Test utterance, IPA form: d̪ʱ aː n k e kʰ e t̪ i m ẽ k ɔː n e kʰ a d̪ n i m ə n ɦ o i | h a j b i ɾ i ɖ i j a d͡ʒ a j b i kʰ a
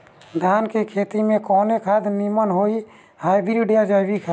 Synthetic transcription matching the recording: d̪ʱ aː n k e kʰ e t̪ i m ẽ k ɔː n e kʰ a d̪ n i m ə n ɦ o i | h a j b i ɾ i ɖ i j a d͡ʒ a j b i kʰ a